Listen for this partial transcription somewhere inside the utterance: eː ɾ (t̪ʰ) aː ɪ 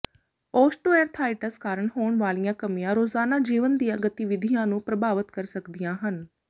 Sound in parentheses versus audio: correct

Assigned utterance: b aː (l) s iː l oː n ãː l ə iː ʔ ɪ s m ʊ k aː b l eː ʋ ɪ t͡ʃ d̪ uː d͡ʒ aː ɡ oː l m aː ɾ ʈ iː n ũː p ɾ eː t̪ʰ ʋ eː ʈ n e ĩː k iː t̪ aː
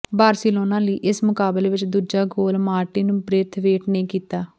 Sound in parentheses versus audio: incorrect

